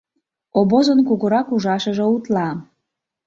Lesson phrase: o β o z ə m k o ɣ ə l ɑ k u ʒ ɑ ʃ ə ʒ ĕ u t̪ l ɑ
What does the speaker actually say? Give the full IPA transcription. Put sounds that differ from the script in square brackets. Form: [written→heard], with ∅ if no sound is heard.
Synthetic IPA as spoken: o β o z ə [m→n] k [o→u] ɣ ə [l→ɾ] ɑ k u ʒ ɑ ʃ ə ʒ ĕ u t̪ l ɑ